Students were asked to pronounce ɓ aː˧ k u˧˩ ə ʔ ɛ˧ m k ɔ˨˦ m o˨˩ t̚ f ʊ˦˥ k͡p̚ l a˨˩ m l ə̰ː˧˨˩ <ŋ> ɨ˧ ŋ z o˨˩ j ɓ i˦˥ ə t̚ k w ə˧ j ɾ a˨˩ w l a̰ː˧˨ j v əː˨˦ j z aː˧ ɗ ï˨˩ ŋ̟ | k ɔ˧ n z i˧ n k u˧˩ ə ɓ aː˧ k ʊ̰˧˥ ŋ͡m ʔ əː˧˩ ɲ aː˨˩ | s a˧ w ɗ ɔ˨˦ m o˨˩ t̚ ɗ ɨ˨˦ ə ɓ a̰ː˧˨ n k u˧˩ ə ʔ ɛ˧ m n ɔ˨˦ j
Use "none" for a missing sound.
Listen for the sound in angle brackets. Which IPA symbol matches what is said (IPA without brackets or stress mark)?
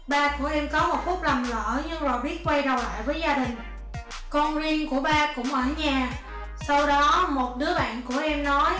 ɲ